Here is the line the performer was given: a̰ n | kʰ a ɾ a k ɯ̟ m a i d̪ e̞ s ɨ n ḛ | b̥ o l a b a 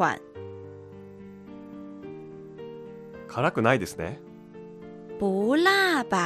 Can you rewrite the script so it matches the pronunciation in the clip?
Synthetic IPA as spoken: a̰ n | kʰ a ɾ a k ɯ̟ n a i d̪ e̞ s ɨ n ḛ | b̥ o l a b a